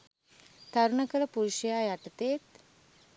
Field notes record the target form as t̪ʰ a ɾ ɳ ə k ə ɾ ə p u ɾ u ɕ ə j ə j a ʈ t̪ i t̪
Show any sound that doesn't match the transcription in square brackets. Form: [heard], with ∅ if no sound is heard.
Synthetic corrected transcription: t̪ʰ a ɾ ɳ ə k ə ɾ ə p u ɾ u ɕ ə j [a] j a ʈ t̪ [e] t̪